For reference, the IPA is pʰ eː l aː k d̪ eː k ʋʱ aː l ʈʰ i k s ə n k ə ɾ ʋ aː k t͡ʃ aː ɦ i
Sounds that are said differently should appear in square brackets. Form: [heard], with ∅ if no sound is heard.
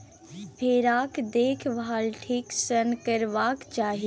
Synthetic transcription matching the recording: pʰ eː [ɾ] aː k d̪ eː [kʰ] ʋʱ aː l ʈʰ i k s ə n k ə ɾ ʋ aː k t͡ʃ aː ɦ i